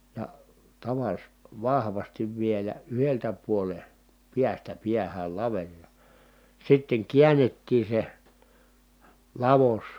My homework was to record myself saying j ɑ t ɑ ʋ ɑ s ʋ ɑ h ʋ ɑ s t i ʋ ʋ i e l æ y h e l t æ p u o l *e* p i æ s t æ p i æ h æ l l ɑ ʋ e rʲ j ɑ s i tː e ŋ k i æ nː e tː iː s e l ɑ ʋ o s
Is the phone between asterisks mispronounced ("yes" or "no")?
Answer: no